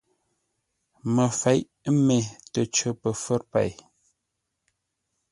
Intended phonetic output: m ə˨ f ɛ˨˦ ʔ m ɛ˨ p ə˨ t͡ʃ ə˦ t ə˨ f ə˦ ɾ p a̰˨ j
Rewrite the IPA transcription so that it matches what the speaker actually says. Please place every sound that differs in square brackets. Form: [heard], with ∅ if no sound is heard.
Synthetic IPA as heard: m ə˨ f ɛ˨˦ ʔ m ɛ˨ [t] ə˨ t͡ʃ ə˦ [p] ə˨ f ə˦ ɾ p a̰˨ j